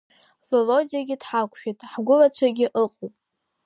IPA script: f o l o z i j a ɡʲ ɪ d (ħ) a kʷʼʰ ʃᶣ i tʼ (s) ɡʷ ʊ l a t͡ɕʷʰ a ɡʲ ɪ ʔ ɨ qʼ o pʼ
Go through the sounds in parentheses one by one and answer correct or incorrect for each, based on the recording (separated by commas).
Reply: correct, incorrect